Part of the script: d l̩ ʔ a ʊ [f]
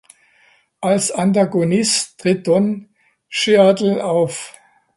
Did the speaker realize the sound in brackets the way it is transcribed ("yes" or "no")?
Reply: yes